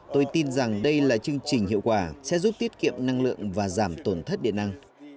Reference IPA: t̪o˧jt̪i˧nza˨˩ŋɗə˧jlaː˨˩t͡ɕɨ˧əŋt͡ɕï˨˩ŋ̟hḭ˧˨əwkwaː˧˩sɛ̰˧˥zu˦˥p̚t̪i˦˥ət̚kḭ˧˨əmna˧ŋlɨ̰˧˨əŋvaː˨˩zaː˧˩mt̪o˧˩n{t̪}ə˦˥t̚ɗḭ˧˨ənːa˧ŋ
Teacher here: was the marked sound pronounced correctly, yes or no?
no